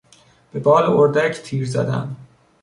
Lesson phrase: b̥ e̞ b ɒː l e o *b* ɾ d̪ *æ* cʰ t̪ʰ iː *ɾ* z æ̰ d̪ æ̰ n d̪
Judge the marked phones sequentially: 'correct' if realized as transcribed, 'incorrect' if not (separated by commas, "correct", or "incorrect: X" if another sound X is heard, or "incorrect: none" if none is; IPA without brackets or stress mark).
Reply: incorrect: none, correct, correct